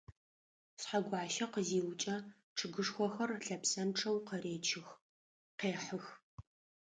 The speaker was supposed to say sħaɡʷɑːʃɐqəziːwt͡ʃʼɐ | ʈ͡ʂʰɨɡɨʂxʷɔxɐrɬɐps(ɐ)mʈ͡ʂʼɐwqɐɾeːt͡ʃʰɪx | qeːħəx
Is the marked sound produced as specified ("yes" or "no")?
yes